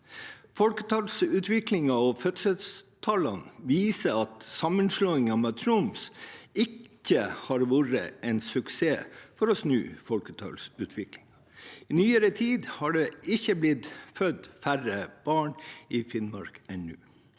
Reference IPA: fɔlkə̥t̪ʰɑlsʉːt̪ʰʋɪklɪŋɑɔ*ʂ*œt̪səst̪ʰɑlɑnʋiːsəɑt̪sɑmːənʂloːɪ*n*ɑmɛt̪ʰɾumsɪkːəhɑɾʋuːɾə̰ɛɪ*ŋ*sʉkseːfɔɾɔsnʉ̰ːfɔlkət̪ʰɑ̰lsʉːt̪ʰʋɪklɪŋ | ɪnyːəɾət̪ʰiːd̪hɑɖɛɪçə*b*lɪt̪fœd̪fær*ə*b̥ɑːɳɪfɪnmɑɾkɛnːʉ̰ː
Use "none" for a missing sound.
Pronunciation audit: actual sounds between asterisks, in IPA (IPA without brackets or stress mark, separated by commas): f, ŋ, n, b, ə